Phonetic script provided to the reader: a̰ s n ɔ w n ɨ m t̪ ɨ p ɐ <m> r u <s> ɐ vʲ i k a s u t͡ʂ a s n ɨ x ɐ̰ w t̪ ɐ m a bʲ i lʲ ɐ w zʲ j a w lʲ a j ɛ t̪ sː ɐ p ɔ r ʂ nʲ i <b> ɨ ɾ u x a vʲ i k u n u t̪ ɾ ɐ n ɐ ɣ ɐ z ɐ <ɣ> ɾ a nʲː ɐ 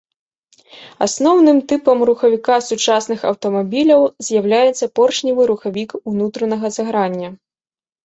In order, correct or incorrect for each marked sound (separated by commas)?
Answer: correct, incorrect, incorrect, correct